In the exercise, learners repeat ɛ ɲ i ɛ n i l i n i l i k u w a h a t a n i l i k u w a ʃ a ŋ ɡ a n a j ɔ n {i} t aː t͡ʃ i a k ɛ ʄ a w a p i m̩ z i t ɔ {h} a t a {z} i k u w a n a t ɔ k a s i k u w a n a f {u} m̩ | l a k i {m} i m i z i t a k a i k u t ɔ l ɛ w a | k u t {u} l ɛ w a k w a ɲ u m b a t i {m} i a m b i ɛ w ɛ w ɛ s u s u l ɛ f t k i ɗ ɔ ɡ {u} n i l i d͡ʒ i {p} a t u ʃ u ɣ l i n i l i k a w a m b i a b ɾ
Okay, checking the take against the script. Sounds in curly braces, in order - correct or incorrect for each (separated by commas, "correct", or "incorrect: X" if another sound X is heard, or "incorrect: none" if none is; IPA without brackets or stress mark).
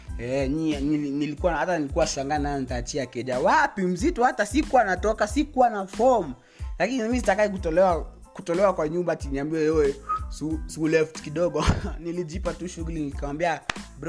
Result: correct, correct, incorrect: s, incorrect: ɔ, incorrect: n, incorrect: ɔ, incorrect: n, incorrect: ɔ, correct